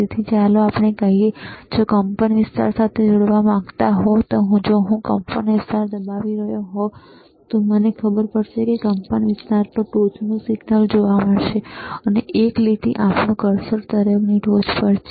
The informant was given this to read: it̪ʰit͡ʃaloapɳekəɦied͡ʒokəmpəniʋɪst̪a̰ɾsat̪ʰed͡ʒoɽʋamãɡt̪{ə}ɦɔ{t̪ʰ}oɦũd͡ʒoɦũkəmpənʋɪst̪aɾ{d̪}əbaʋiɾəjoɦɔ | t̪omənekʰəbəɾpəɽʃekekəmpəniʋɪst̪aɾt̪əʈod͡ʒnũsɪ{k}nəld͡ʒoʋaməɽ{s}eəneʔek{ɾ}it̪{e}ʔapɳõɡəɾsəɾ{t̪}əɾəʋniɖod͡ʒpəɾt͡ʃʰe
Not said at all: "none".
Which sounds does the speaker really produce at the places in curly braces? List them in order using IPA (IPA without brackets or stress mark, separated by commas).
a, t̪, d̪, ɡ, ʃ, l, i, t̪